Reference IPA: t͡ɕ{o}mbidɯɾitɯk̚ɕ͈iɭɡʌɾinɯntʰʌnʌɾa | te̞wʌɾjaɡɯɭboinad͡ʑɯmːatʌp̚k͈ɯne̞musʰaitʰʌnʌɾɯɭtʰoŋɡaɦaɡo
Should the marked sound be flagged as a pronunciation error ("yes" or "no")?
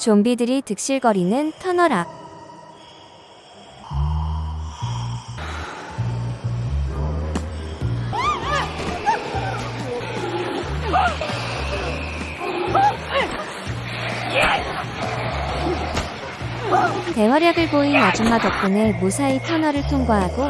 no